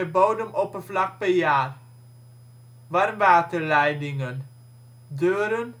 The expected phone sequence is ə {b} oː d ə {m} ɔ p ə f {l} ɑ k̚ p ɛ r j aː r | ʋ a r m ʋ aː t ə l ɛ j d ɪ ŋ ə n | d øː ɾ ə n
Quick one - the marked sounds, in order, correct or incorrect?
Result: correct, correct, correct

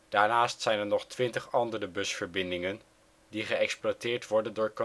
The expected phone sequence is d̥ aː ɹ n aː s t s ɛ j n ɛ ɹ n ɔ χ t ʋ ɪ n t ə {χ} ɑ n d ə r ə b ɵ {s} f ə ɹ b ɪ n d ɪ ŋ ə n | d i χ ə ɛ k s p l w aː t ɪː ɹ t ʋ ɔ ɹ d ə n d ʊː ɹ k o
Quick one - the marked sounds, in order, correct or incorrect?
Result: correct, correct

